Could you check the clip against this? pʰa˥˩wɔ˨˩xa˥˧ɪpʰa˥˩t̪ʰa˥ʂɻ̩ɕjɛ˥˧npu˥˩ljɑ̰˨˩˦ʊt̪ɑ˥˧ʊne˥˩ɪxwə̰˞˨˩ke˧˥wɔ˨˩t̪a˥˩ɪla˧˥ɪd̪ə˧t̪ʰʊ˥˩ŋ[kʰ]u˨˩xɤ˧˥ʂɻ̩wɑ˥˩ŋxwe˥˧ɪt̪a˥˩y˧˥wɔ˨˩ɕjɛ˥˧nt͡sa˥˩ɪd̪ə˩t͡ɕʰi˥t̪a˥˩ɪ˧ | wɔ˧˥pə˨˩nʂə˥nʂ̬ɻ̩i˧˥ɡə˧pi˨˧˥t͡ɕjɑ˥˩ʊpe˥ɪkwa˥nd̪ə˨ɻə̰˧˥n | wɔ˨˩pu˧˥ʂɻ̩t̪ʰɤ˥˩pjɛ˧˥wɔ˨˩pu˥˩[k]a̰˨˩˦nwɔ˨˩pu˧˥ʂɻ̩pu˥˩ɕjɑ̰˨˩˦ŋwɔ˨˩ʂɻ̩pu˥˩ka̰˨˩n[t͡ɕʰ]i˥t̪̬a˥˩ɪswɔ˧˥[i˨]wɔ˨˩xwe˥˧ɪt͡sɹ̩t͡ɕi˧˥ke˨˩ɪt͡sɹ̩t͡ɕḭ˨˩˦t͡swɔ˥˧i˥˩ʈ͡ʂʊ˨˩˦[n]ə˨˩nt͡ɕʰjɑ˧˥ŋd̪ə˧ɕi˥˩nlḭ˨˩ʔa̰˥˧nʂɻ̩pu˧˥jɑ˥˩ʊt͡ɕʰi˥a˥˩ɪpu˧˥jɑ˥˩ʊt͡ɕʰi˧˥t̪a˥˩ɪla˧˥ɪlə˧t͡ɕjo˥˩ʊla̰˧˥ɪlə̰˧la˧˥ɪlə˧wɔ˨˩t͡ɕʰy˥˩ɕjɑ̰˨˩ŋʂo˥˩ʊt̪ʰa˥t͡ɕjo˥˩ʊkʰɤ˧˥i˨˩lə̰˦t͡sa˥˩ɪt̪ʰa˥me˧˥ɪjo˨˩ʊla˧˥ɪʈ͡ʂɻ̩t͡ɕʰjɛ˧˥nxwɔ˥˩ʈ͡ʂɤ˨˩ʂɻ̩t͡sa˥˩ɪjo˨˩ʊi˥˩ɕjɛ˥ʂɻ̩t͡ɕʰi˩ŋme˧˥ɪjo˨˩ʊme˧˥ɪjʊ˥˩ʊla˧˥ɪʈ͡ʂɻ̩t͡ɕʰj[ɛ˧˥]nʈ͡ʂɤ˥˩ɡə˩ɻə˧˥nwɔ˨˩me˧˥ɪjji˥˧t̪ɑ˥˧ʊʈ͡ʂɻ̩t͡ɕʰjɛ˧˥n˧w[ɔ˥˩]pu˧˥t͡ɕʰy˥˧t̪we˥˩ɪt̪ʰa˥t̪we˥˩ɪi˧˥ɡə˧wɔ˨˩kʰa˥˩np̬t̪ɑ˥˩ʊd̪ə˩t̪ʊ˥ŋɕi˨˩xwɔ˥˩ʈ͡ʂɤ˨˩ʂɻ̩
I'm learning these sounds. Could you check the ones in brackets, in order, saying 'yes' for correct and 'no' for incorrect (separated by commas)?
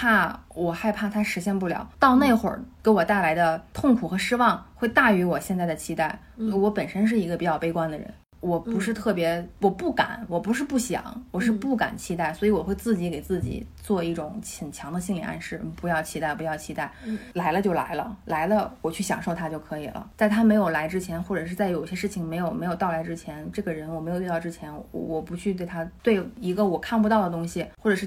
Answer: yes, yes, yes, no, no, yes, no